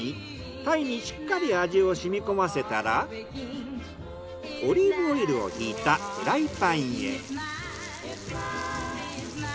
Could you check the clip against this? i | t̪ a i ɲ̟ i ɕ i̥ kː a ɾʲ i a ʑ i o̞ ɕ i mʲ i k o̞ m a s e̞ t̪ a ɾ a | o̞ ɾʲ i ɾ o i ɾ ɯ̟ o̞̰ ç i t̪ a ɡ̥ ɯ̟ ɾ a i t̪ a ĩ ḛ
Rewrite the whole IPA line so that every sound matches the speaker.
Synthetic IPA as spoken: i | t̪ a i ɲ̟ i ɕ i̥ kː a ɾʲ i a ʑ i o̞ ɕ i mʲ i k o̞ m a s e̞ t̪ a ɾ a | o̞ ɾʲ i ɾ o i ɾ ɯ̟ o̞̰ ç iː t̪ a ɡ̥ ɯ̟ ɾ a i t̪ a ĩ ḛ

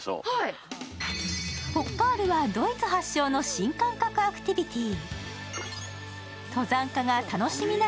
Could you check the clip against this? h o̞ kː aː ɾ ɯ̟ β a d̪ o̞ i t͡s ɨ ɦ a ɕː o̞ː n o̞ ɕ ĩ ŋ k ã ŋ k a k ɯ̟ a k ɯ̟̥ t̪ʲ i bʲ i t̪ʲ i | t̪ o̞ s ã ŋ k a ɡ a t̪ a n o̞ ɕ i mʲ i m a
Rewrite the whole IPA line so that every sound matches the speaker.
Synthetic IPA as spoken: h o̞ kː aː ɾ ɯ̟ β a d̪ o̞ i t͡s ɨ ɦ a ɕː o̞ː n o̞ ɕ ĩ ŋ k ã ŋ k a k ɯ̟ a k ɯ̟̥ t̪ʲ i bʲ i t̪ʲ i | t̪ o̞ z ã ŋ k a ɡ a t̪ a n o̞ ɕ i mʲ i n a

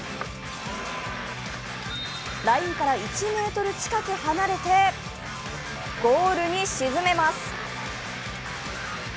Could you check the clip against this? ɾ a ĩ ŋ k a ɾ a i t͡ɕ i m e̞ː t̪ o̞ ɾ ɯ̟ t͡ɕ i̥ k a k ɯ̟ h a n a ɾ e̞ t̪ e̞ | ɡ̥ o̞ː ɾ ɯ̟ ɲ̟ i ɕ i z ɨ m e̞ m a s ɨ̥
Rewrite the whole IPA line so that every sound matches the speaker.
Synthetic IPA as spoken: ɾ a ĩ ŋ k a ɾ a i t͡ɕ i m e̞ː t̪ o̞ ɾ ɯ̟ t͡ɕ i̥ k a k ɯ̟ h a n a ɾ e̞ t̪ e̞ | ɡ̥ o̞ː ɾ ɯ̟ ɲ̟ i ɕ i z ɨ m e̞ m a s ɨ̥

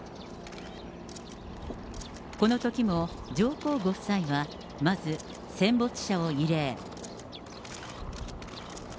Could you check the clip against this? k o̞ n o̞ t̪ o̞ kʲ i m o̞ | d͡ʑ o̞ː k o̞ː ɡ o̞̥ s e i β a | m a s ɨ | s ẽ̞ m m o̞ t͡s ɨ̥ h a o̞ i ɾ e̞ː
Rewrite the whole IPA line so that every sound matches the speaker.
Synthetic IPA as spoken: k o̞ n o̞ t̪ o̞ kʲ i m o̞ | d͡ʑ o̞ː k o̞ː ɡ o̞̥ s a i β a | m a z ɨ | s ẽ̞ m b o̞ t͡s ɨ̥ ɕ a o̞ i ɾ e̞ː

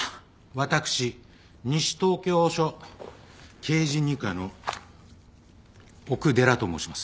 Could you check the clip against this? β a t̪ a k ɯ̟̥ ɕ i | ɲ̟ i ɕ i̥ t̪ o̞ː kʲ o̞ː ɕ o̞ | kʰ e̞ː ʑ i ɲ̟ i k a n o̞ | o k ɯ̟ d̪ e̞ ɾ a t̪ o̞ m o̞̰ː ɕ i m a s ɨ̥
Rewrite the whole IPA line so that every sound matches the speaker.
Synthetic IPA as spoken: β a t̪ a k ɯ̟̥ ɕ i | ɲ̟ i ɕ i̥ t̪ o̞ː kʲ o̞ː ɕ o̞ | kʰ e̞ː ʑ i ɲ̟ i k a n o̞ | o k ɯ̟ d̪ e̞ ɾ a t̪ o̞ m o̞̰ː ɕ i m a s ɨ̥

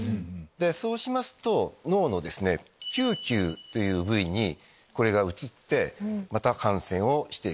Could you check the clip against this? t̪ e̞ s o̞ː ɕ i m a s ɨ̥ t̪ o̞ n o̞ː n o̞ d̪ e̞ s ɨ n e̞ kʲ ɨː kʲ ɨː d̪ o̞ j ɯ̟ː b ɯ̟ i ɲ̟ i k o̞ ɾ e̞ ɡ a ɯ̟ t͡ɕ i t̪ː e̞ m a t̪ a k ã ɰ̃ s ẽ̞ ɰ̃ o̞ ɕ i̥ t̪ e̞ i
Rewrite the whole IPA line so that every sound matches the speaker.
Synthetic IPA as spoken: d̪ e̞ s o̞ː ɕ i m a s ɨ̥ t̪ o̞ n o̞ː n o̞ d̪ e̞ s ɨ n e̞ kʲ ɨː kʲ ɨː t̪ o̞ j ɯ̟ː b ɯ̟ i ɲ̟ i k o̞ ɾ e̞ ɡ a ɯ̟ t͡ɕ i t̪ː e̞ m a t̪ a k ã ɰ̃ s ẽ̞ ɰ̃ o̞ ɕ i̥ t̪ e̞ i

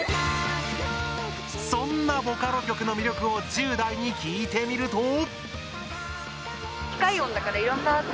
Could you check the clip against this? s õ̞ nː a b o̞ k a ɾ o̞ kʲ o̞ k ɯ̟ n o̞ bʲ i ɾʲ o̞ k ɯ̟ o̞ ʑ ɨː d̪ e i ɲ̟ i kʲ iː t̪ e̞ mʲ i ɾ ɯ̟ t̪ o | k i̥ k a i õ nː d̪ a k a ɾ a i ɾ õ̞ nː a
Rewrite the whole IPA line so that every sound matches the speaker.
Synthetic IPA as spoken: s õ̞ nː a b o̞ k a ɾ o̞ kʲ o̞ k ɯ̟ n o̞ mʲ i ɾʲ o̞ k ɯ̟ o̞ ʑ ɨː d̪ a i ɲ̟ i kʲ iː t̪ e̞ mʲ i ɾ ɯ̟ t̪ o | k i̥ k a i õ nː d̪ a k a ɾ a i ɾ õ̞ nː a

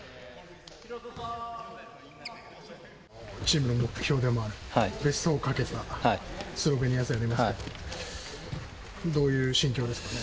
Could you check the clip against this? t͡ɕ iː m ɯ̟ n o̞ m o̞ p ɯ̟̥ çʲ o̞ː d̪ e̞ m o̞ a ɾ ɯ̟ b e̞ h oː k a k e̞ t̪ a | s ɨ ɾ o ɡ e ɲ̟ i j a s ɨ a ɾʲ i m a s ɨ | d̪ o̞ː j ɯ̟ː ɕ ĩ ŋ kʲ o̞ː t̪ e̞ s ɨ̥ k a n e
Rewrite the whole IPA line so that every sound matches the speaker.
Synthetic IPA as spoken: t͡ɕ iː m ɯ̟ n o̞ m o̞ k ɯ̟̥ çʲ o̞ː d̪ e̞ m o̞ a ɾ ɯ̟ b e̞ s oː k a k e̞ t̪ a | s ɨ ɾ o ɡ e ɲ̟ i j a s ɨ a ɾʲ i m a s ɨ | d̪ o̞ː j ɯ̟ː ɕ ĩ ŋ kʲ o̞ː d̪ e̞ s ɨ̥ k a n e

